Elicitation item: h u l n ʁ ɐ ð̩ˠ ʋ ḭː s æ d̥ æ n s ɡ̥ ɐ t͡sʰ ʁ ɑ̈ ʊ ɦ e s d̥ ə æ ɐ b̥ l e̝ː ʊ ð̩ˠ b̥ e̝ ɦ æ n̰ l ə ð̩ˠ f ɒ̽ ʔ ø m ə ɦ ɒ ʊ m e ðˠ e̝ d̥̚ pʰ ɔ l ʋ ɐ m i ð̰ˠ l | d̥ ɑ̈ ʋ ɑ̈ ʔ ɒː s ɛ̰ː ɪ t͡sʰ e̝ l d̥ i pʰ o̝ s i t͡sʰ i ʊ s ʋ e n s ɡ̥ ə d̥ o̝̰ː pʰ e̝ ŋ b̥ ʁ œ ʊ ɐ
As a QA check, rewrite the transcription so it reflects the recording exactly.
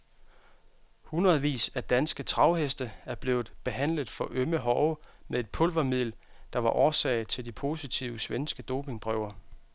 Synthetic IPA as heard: h u n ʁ ɐ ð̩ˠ ʋ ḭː s æ d̥ æ n s ɡ̥ ə t͡sʰ ʁ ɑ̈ ʊ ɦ e s d̥ ə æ ɐ b̥ l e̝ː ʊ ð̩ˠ b̥ e̝ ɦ æ n̰ l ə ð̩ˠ f ɒ̽ ʔ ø m ə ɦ ɒ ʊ m e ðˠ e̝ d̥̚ pʰ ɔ l ʋ ɐ m i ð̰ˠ l | d̥ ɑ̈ ʋ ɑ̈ ʔ ɒː s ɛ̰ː ɪ t͡sʰ e̝ l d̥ i pʰ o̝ s i t͡sʰ i ʊ s ʋ e n s ɡ̥ ə d̥ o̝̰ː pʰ e̝ ŋ b̥ ʁ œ ʊ ɐ

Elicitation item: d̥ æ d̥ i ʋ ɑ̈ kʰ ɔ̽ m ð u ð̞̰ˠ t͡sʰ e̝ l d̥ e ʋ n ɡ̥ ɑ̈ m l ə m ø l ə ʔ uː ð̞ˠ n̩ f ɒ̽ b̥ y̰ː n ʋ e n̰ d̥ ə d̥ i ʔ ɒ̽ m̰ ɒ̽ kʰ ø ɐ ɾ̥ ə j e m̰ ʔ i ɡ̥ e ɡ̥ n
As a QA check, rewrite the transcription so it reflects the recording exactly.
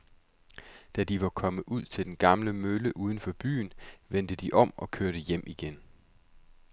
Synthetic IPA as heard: d̥ æ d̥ i ʋ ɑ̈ kʰ ɒ̽ m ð u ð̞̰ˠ t͡sʰ e̝ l d̥ e n ɡ̥ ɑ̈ m l ə m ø l ə ʔ uː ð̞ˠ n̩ f ɒ̽ b̥ y̰ː n ʋ e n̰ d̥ ə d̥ i ʔ ɒ̽ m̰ ɒ̽ kʰ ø ɐ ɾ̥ ə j e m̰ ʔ i ɡ̥ e n

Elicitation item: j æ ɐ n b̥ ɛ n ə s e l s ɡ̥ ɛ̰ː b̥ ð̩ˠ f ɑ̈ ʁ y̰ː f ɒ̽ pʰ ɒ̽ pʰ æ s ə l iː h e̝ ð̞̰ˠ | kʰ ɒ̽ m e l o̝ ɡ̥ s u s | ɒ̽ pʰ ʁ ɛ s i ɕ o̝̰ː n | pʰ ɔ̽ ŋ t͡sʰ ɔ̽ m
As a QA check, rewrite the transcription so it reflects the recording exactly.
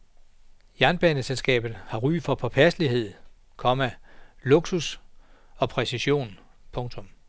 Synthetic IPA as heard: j æ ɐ n b̥ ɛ n ə s e l s ɡ̥ ɛ̰ː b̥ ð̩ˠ h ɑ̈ ʁ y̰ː f ɒ̽ pʰ ɒ̽ pʰ æ s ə l i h e̝ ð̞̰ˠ | kʰ ɒ̽ m æ l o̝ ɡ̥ s u s | ɒ̽ pʰ ʁ ɛ s i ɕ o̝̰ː n | pʰ ɔ̽ ŋ t͡sʰ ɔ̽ m

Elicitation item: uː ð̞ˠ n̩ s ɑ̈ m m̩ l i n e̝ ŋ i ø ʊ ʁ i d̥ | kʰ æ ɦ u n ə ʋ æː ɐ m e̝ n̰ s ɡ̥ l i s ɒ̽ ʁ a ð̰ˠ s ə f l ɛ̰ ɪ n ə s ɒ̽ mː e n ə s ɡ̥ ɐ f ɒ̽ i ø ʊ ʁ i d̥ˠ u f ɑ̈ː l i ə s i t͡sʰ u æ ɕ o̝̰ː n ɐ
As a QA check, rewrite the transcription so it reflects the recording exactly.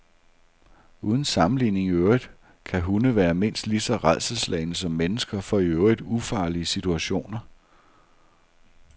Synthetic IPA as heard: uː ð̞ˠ n̩ s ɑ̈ m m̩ l i n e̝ ŋ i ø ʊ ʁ i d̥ | kʰ æ ɦ u n ə ʋ æː ɐ m e̝ n̰ s d̥ l i s ɒ̽ ʁ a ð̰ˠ s ə s l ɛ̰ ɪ n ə s ɒ̽ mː e n ə s ɡ̥ ɐ f ɒ̽ i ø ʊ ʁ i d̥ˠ u f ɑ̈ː l i ə s i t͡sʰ u æ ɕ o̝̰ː n ɐ

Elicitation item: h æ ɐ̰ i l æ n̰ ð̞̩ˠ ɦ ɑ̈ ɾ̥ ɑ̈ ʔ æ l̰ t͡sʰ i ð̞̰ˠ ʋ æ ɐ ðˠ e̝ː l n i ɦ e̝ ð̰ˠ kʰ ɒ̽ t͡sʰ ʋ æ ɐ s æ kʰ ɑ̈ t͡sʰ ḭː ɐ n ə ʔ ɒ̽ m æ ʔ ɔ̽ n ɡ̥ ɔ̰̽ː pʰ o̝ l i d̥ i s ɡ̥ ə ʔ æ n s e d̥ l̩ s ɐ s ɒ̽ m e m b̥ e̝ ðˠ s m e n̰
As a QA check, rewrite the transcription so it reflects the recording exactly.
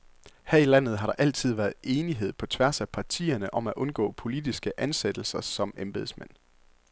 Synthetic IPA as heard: h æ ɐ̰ i l æ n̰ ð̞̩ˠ ɦ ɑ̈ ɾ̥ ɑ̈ ʔ æ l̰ t͡sʰ i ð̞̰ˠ ʋ æ ɐ ðˠ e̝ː n i ɦ e̝ ð̰ˠ pʰ ɒ̽ t͡sʰ ʋ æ ɐ s æ pʰ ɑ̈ t͡sʰ ḭː ɐ n ə ʔ ɒ̽ m æ ʔ ɔ̽ n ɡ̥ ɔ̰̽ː pʰ o̝ l i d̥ i s ɡ̥ ə ʔ æ n s e d̥ l̩ s ɐ s ɒ̽ m e m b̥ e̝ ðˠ s m e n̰

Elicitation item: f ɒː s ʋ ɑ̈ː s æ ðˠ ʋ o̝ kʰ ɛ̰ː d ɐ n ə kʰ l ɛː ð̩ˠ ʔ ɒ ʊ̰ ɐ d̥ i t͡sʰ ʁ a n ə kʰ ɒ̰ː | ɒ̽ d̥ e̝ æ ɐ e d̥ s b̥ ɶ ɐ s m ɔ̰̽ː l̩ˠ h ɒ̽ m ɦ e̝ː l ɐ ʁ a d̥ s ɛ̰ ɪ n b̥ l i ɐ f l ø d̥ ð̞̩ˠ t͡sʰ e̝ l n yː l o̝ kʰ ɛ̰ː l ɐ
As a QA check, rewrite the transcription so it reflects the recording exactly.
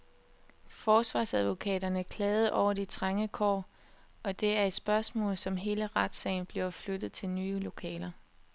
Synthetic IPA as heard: f ɒː s ʋ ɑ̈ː s æ ðˠ ʋ o̝ kʰ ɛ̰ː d ɐ n ə kʰ l ɛː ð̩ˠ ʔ ɒ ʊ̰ ɐ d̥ i t͡sʰ ʁ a ŋ ə kʰ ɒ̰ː | ɒ̽ d̥ e̝ æ ɐ e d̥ s b̥ ɶ ɐ s m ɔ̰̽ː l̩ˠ s ɒ̽ m ɦ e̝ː l ə ʁ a d̥ s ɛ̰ ɪ n b̥ l i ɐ f l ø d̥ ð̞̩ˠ t͡sʰ e̝ l n yː l o̝ kʰ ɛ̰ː l ɐ

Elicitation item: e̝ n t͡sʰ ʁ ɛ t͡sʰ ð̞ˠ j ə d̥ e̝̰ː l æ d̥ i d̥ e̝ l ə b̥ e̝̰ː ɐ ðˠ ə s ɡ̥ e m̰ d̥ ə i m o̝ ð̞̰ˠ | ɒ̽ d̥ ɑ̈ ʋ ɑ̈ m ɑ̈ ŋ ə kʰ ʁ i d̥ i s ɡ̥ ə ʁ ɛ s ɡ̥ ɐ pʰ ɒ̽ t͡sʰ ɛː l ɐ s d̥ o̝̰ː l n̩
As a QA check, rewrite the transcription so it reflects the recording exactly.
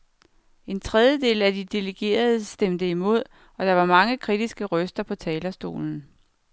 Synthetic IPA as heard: e̝ n t͡sʰ ʁ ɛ ð̞ˠ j ə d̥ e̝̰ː l æ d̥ i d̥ e̝ l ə ɡ̥ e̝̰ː ɐ ðˠ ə s d̥ e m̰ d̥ ə i m o̝ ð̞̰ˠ | ɒ̽ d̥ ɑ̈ ʋ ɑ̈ m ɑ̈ ŋ ə kʰ ʁ i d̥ i s ɡ̥ ə ʁ œ s d̥ ɐ pʰ ɒ̽ t͡sʰ ɛː l ɐ s d̥ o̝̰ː l n̩

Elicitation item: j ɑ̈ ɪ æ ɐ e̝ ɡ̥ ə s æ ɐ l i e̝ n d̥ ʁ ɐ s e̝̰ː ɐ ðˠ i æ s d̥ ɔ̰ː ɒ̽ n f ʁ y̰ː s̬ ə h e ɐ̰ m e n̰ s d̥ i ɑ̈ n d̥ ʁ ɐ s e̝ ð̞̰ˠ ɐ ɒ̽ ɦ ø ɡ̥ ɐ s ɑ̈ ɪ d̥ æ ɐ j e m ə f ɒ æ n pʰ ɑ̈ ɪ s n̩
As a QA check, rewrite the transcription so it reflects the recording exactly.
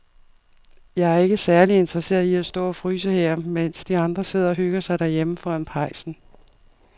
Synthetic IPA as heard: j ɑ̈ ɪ æ ɐ e̝ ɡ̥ ə s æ ɐ l i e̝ n d̥ ʁ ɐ s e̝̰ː ɐ ðˠ i æ s d̥ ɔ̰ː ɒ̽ f ʁ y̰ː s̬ ə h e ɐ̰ m e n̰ s d̥ i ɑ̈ n d̥ ʁ ɐ s e̝ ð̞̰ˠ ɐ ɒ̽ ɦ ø ɡ̥ ɐ s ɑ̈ ɪ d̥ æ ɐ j e m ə f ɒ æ n pʰ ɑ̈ ɪ s n̩

